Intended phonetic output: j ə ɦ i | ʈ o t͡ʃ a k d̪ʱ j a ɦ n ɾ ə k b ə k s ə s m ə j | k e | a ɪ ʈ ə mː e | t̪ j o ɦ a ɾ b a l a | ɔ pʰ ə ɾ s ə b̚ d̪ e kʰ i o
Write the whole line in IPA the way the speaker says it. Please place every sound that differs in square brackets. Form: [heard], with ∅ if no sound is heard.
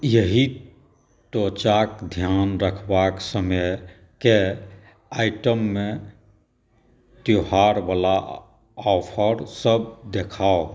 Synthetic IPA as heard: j ə ɦ i | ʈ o t͡ʃ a k d̪ʱ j a [∅] n ɾ ə [kʰ] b [a] k s ə [∅] m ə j | k e | a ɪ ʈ ə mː e | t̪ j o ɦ a ɾ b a l a | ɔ pʰ ə ɾ s ə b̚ d̪ e kʰ [a] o

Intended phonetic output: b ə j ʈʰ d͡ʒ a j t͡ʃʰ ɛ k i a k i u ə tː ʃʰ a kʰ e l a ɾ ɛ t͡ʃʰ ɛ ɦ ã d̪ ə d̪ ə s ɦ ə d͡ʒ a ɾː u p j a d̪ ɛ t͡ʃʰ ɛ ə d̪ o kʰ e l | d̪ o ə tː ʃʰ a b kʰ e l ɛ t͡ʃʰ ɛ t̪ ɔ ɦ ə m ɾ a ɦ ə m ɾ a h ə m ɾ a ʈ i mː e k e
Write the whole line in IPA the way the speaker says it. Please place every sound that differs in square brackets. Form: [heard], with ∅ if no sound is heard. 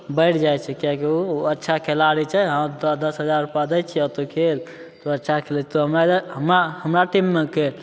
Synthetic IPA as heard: b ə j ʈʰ d͡ʒ a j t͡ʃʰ ɛ k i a k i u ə tː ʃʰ a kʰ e l a ɾ [i] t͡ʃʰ ɛ ɦ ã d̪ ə d̪ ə s ɦ ə d͡ʒ a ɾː u p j a d̪ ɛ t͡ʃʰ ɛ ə [t̪] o kʰ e l | [t̪] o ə tː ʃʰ a [∅] kʰ e l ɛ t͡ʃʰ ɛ t̪ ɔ ɦ ə m ɾ a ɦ ə m ɾ a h ə m ɾ a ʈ i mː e k e

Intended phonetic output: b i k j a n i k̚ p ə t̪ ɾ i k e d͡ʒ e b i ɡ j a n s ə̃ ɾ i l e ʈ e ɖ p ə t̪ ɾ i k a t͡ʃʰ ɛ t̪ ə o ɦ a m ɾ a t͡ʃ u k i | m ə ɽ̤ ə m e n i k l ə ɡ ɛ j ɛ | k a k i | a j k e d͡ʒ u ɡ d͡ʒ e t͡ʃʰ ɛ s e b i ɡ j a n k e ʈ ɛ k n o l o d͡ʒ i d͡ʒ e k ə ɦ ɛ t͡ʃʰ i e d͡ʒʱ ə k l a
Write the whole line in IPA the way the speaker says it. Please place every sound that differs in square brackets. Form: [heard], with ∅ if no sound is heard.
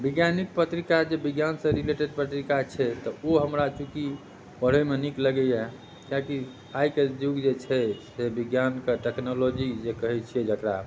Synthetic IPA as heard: b i [ɡ] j a n i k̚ p ə t̪ ɾ i k [a] d͡ʒ e b i ɡ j a n s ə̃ ɾ i l e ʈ e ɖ p ə t̪ ɾ i k a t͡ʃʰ ɛ t̪ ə o ɦ [ə] m ɾ a t͡ʃ u k i | [b] ə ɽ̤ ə m e n i k l ə ɡ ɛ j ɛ | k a k i | a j k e d͡ʒ u ɡ d͡ʒ e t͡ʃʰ ɛ s e b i ɡ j a n k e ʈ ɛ k n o l o d͡ʒ i d͡ʒ e k ə ɦ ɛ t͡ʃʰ i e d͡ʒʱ ə k [ɾ] a

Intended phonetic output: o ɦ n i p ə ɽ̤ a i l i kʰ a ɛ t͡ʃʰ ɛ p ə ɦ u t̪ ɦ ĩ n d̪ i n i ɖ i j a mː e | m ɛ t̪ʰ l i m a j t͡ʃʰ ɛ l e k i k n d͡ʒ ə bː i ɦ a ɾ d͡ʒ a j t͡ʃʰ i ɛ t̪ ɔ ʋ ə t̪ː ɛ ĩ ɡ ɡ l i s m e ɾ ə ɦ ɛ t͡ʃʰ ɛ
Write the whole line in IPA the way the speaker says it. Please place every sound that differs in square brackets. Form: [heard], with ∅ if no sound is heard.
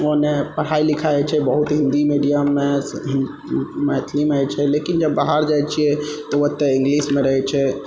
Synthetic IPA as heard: o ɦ n [e] p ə ɽ̤ a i l i kʰ a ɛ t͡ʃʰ ɛ [b] ə ɦ u t̪ ɦ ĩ n d̪ i [m] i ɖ i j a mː e | m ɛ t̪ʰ l i m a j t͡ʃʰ ɛ l e k i [∅] n d͡ʒ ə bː [a] ɦ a ɾ d͡ʒ a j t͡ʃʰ i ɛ t̪ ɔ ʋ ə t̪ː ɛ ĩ [ŋ] ɡ l i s m e ɾ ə ɦ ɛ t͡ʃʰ ɛ

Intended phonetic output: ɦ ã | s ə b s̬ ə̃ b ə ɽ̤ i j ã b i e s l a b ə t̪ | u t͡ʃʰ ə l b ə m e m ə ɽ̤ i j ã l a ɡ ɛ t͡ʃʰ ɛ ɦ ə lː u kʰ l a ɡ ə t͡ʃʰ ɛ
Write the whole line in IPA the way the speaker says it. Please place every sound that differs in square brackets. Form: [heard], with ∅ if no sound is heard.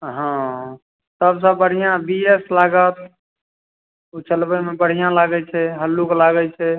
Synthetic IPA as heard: ɦ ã | s ə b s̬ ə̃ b ə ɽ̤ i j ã b i e s l a [ɡ] ə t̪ | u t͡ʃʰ ə l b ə m e [b] ə ɽ̤ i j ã l a ɡ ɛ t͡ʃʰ ɛ ɦ ə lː u [k] l a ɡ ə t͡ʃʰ ɛ

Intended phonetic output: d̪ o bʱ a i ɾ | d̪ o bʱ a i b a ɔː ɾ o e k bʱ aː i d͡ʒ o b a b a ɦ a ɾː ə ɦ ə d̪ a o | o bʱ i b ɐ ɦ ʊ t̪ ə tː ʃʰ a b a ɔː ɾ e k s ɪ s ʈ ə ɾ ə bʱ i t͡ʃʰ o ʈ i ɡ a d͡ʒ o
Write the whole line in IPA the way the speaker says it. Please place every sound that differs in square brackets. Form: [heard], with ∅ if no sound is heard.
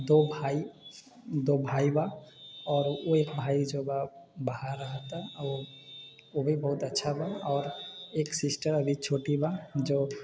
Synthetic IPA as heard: d̪ o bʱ a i [∅] | d̪ o bʱ a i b a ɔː ɾ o e k bʱ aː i d͡ʒ o b a b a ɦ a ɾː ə ɦ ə [t̪] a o | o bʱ i b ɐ ɦ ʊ t̪ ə tː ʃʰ a b a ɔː ɾ e k s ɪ s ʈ ə ɾ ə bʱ i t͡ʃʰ o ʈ i [b] a d͡ʒ o

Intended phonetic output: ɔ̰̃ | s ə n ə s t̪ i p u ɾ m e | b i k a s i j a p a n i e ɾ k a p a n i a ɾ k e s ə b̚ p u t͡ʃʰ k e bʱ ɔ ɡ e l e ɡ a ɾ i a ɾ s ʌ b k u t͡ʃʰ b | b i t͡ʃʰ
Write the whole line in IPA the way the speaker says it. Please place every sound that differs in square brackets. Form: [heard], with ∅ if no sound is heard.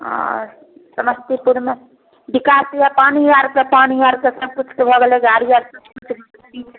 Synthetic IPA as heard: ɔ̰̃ | s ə [m] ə s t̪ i p u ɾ m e | b i k a s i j a p a n i [a] ɾ k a p a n i a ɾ k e s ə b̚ [k] u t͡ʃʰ k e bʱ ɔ ɡ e l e ɡ a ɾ i a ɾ s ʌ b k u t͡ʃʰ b | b i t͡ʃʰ

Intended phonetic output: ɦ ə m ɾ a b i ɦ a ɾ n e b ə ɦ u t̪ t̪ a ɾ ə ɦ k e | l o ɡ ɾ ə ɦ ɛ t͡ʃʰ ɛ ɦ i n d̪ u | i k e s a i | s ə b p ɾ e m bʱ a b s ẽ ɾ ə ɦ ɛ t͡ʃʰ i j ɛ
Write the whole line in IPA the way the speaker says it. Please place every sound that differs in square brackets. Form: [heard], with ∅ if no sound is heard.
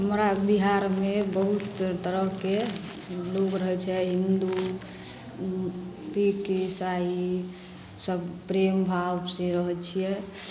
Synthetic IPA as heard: ɦ ə m ɾ a b i ɦ a ɾ [m] e b ə ɦ u t̪ t̪ [ə] ɾ ə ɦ k e | l o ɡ ɾ ə ɦ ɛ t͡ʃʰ ɛ ɦ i n d̪ u | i k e s a i | s ə b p ɾ e m bʱ a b s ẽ ɾ ə ɦ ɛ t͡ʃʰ i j ɛ

